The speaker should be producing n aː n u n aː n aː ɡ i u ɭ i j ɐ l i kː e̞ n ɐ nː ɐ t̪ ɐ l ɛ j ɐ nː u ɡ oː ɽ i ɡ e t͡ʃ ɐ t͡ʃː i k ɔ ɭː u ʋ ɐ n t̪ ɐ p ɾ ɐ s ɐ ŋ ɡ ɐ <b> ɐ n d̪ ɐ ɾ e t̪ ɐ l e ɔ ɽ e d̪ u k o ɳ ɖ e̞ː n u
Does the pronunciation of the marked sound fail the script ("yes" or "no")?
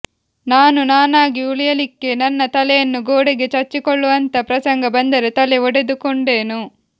no